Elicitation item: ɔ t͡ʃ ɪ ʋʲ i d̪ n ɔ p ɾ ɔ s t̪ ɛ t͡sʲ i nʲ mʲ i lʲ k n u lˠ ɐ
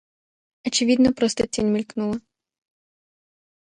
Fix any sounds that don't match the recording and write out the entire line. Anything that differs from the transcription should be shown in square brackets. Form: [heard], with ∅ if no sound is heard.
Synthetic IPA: ɔ t͡ʃ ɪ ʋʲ i d̪ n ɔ p ɾ ɔ s t̪ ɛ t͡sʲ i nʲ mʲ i lʲ k n u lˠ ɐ

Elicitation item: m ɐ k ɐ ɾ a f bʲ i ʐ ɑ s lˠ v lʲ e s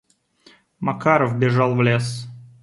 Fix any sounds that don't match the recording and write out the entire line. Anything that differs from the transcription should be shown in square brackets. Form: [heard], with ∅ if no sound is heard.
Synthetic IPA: m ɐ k [a] ɾ [ə] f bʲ [ɪ] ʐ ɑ [∅] lˠ v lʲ e s

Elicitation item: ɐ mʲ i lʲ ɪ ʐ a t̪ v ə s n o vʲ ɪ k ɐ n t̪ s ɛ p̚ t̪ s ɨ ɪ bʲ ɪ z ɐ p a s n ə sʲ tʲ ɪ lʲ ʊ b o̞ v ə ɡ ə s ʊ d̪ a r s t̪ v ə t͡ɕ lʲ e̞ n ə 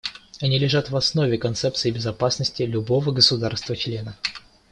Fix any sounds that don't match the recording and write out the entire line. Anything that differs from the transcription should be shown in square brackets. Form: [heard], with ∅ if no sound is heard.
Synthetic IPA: ɐ [nʲ] i lʲ ɪ ʐ a t̪ v [ɐ] s n o vʲ ɪ k ɐ n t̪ s ɛ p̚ t̪ s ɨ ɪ bʲ ɪ z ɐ p a s n ə sʲ tʲ ɪ lʲ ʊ b o̞ v ə ɡ ə s ʊ d̪ a r s t̪ v ə t͡ɕ lʲ e̞ n ə

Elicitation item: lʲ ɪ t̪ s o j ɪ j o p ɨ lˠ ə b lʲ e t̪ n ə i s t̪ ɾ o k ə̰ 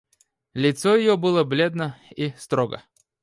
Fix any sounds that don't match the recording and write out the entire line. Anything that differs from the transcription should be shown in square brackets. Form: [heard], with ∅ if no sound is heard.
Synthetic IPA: lʲ ɪ t̪ s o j ɪ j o [b] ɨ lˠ ə b lʲ e [d̪] n ə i s t̪ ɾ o [ɡ] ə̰

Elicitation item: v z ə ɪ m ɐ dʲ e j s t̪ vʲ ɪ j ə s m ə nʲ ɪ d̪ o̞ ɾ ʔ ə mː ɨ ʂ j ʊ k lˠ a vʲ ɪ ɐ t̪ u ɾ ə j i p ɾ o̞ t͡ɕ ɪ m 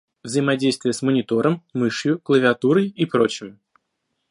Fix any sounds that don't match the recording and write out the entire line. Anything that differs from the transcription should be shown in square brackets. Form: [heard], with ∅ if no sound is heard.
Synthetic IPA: v z ə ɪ m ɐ dʲ e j s t̪ vʲ ɪ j ə s m ə nʲ ɪ [t̪] o̞ ɾ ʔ ə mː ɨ ʂ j ʊ k lˠ [ə] vʲ ɪ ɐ t̪ u ɾ ə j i p ɾ o̞ t͡ɕ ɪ m

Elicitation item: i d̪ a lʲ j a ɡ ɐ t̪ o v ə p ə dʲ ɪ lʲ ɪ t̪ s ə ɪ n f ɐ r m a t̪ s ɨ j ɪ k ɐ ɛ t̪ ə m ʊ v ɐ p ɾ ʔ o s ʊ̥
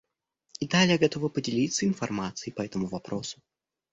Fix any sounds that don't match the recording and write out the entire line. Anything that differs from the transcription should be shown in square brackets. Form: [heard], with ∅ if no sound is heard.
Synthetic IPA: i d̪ a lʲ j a ɡ ɐ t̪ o v ə p ə dʲ ɪ lʲ [i] t̪ s ə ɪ n f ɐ r m a t̪ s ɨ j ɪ [p] ɐ ɛ t̪ ə m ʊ v ɐ p ɾ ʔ o s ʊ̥

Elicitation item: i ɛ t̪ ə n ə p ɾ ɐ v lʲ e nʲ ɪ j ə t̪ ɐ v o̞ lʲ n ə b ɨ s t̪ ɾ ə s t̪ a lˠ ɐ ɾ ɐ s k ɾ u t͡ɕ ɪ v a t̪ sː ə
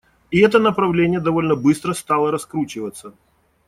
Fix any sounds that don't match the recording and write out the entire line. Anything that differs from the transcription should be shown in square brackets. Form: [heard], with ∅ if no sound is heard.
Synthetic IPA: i ɛ t̪ ə n ə p ɾ ɐ v lʲ e nʲ ɪ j ə [d̪] ɐ v o̞ lʲ n ə b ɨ s t̪ ɾ ə s t̪ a lˠ [ə] ɾ ɐ s k ɾ u t͡ɕ ɪ v [ə] t̪ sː ə

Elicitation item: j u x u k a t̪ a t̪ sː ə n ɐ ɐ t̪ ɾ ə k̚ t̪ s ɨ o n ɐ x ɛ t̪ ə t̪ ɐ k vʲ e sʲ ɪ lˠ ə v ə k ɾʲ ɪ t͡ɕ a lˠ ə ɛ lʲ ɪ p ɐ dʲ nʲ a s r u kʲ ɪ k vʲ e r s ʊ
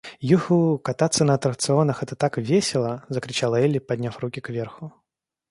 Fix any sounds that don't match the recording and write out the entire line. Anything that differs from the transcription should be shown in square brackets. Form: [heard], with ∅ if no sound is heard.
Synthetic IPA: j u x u k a t̪ a t̪ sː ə n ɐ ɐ t̪ ɾ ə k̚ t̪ s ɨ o n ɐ x ɛ t̪ ə t̪ [a] k vʲ e sʲ ɪ lˠ ə [z] ə k ɾʲ ɪ t͡ɕ a lˠ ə ɛ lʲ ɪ p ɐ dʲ nʲ a [f] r u kʲ ɪ k vʲ e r [x] ʊ

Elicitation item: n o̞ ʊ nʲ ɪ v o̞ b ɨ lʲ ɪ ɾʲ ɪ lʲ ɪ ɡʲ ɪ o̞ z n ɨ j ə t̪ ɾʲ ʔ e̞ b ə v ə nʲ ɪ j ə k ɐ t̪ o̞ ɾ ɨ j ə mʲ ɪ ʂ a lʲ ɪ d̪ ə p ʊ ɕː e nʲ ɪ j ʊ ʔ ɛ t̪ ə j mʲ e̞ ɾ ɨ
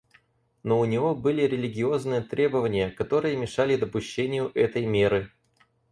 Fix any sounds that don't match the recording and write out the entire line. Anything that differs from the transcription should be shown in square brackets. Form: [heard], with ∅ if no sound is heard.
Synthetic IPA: n o̞ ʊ nʲ ɪ v o̞ b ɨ lʲ ɪ ɾʲ ɪ lʲ ɪ ɡʲ ɪ o̞ z n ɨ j ə t̪ ɾʲ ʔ e̞ b ə v ə nʲ ɪ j ə k ɐ t̪ o̞ ɾ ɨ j ə mʲ ɪ ʂ a lʲ ɪ d̪ ə p ʊ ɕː e nʲ ɪ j ʊ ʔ ɛ t̪ ə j mʲ e̞ ɾ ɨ

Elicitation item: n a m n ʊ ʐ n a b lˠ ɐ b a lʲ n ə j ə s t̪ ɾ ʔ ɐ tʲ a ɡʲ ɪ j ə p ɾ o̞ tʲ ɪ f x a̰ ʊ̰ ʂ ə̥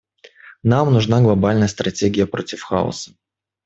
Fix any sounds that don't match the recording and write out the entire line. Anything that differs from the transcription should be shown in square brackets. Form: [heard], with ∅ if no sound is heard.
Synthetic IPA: n a m n ʊ ʐ n a [ɡ] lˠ ɐ b a lʲ n ə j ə s t̪ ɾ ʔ ɐ tʲ [e] ɡʲ ɪ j ə p ɾ o̞ tʲ ɪ f x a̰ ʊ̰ [s] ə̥

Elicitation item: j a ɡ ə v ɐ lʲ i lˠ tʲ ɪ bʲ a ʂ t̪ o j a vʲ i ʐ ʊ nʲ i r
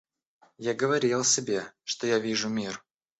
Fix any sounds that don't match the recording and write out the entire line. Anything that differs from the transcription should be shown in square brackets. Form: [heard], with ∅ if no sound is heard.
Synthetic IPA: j a ɡ ə v ɐ [ɾʲ] i lˠ [sʲ] ɪ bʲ [e] ʂ t̪ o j a vʲ i ʐ ʊ [mʲ] i r

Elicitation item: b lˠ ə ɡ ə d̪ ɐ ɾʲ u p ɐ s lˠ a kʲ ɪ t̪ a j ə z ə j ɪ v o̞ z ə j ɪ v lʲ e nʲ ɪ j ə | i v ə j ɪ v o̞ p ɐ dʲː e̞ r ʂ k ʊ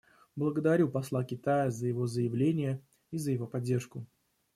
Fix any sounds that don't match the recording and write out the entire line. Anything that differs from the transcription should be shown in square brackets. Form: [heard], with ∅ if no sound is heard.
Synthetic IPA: b lˠ ə ɡ ə d̪ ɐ ɾʲ u p ɐ s lˠ a kʲ ɪ t̪ a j ə z ə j ɪ v o̞ z ə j ɪ v lʲ e nʲ ɪ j ə | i [z] ə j ɪ v o̞ p ɐ dʲː e̞ r ʂ k ʊ

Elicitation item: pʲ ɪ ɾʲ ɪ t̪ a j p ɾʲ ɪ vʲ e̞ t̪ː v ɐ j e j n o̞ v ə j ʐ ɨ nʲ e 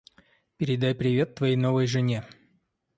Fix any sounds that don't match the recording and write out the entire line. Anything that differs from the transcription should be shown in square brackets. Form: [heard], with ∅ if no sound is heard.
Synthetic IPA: pʲ ɪ ɾʲ ɪ [d̪] a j p ɾʲ ɪ vʲ e̞ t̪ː v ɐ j e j n o̞ v ə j ʐ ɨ nʲ e

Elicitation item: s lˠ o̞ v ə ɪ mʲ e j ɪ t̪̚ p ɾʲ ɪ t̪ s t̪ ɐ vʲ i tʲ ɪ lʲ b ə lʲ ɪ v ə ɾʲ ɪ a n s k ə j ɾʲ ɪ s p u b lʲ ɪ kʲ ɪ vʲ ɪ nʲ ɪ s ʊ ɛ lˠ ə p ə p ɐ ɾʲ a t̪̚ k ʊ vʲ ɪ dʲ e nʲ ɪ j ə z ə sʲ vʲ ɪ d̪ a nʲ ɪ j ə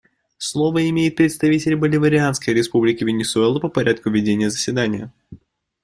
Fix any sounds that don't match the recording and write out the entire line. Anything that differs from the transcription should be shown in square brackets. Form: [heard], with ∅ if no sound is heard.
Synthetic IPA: s lˠ o̞ v ə ɪ mʲ e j ɪ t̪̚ p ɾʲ ɪ t̪ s t̪ ɐ vʲ i tʲ ɪ lʲ b ə lʲ ɪ v ə ɾʲ ɪ a n s k ə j ɾʲ ɪ s p u b lʲ ɪ kʲ ɪ vʲ ɪ nʲ ɪ s ʊ ɛ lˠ ə p ə p ɐ ɾʲ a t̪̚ k ʊ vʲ ɪ dʲ e nʲ ɪ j ə z ə sʲ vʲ ɪ d̪ a nʲ ɪ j ə

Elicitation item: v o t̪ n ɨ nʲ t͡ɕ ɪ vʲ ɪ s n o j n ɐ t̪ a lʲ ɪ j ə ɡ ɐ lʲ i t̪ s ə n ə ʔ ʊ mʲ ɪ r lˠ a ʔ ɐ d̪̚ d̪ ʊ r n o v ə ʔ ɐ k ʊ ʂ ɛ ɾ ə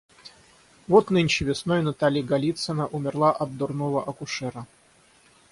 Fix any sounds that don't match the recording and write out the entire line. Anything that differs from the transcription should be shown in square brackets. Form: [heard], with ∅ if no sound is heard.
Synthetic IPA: v o t̪ n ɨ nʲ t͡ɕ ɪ vʲ ɪ s n o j n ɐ t̪ a lʲ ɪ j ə ɡ ɐ lʲ i t̪ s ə n ə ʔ ʊ mʲ ɪ r lˠ a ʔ ɐ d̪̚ d̪ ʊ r n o v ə ʔ ɐ k ʊ ʂ ɛ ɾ ə

